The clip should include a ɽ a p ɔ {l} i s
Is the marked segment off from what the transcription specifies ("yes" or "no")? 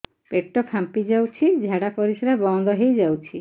yes